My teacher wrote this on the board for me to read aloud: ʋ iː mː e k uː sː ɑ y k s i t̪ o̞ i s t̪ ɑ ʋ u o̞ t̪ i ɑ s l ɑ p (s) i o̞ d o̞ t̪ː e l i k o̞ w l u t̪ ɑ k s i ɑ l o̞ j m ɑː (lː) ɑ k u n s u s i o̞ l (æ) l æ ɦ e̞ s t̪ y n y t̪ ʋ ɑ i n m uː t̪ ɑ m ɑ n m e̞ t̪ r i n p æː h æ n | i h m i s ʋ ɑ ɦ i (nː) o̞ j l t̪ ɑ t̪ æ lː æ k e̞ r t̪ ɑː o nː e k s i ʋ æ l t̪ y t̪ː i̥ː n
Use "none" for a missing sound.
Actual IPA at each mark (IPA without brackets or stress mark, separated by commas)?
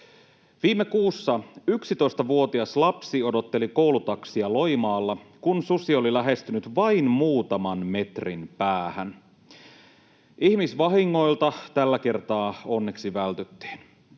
s, lː, i, ŋː